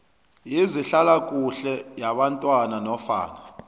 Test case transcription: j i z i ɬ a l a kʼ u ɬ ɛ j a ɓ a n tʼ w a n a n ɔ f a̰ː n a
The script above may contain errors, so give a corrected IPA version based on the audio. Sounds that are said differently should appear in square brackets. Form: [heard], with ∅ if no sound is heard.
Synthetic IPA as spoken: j i z i ɬ a l a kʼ u ɬ ɛ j a ɓ a n tʼ w a n a n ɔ f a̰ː n a